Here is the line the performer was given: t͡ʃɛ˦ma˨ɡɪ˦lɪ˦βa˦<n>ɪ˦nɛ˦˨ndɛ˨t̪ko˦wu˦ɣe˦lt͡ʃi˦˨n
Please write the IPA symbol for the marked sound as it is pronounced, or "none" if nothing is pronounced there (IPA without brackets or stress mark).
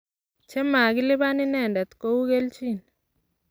n